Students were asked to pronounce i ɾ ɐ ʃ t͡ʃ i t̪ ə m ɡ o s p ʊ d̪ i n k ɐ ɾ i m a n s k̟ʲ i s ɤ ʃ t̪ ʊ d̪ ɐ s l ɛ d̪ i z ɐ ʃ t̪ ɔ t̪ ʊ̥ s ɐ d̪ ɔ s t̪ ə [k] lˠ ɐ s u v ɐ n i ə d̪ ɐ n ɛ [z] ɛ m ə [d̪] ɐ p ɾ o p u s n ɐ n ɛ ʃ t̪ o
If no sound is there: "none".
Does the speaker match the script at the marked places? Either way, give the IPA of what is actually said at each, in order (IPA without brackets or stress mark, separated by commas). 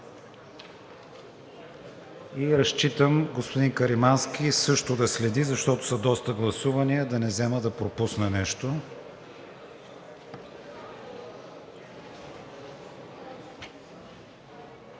ɡ, z, d̪